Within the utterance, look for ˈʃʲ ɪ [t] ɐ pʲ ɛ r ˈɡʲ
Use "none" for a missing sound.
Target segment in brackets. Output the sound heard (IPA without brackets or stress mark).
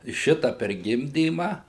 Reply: t